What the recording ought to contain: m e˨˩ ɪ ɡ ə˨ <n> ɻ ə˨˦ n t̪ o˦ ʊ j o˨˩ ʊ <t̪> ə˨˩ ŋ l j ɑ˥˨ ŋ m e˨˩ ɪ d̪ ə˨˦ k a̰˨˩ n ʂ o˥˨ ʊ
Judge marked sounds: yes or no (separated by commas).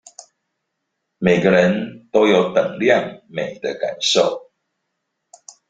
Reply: no, yes